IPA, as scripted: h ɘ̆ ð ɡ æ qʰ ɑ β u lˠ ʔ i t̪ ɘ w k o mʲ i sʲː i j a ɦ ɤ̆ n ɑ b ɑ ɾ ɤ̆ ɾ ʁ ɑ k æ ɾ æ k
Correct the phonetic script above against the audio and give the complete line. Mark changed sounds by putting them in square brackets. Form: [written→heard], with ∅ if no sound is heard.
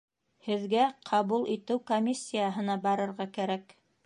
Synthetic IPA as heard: h ɘ̆ ð ɡ æ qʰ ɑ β u lˠ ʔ i t̪ ɘ w k o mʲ i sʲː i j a ɦ ɤ̆ n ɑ b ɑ ɾ ɤ̆ ɾ ʁ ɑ k æ ɾ æ k

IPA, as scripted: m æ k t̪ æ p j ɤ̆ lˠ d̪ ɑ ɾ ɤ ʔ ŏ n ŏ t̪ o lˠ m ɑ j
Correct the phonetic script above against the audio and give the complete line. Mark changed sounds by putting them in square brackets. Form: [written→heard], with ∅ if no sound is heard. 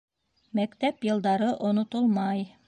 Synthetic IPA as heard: m æ k t̪ æ p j ɤ̆ lˠ d̪ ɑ ɾ ɤ ʔ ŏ n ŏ t̪ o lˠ m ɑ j

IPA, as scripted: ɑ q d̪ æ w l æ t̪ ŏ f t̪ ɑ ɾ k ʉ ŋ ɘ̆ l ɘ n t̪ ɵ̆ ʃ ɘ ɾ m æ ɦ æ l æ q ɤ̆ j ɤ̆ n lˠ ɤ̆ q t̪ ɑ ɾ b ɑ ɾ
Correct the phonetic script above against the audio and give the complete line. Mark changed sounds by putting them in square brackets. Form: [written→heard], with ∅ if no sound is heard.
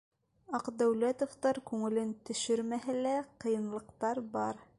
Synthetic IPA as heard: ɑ q d̪ æ w l æ t̪ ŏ f t̪ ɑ ɾ k ʉ ŋ ɘ̆ l ɘ n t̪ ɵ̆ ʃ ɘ ɾ m æ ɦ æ l æ q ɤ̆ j ɤ̆ n lˠ ɤ̆ q t̪ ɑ ɾ b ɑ ɾ

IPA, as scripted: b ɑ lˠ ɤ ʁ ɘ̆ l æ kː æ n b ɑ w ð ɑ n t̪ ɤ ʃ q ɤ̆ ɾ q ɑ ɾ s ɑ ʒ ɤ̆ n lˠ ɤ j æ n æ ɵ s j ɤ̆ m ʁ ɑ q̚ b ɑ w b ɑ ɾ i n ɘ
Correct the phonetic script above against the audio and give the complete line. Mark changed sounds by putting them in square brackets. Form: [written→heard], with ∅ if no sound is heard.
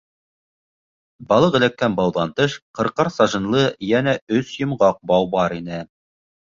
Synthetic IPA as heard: b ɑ lˠ ɤ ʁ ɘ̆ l æ kː æ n b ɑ w ð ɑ n t̪ ɤ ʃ q ɤ̆ ɾ q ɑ ɾ s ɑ ʒ ɤ̆ n lˠ ɤ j æ n æ ɵ s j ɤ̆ m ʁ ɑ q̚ b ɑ w b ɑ ɾ i n ɘ

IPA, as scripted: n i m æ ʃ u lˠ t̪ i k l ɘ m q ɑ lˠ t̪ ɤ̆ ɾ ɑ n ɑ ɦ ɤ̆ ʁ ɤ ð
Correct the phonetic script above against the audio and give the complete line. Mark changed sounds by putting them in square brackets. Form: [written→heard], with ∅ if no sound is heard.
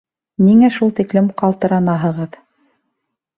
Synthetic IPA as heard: n i [m→ŋ] æ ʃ u lˠ t̪ i k l ɘ m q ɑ lˠ t̪ ɤ̆ ɾ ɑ n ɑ ɦ ɤ̆ ʁ ɤ ð

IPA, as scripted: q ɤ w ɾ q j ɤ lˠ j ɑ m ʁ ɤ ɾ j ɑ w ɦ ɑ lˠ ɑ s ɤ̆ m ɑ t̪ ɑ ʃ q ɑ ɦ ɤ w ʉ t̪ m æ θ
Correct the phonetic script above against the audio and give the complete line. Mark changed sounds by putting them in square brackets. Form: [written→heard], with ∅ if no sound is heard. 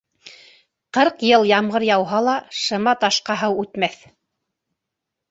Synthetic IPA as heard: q ɤ [w→∅] ɾ q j ɤ lˠ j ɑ m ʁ ɤ ɾ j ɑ w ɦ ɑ lˠ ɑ [s→ʃ] ɤ̆ m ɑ t̪ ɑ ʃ q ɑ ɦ ɤ w ʉ t̪ m æ θ

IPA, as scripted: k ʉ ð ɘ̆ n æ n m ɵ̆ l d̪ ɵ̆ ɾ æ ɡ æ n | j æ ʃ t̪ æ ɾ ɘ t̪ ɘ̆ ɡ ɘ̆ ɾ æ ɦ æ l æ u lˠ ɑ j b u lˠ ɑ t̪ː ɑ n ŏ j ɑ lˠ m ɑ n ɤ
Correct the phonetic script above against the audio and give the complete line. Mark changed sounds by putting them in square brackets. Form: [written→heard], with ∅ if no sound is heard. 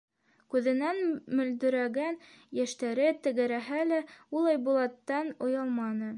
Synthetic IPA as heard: k ʉ ð ɘ̆ n æ n m ɵ̆ l d̪ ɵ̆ ɾ æ ɡ æ n | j æ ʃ t̪ æ ɾ ɘ t̪ ɘ̆ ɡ ɘ̆ ɾ æ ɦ æ l æ u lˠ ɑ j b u lˠ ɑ t̪ː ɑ n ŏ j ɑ lˠ m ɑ n ɤ

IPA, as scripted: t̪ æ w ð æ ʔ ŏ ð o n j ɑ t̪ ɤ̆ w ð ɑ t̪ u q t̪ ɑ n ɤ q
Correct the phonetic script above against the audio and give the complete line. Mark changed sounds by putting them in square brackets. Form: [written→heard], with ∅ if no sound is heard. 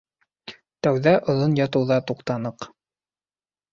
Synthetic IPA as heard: t̪ æ w ð æ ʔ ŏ ð o n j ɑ t̪ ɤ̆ w ð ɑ t̪ u q t̪ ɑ n ɤ q

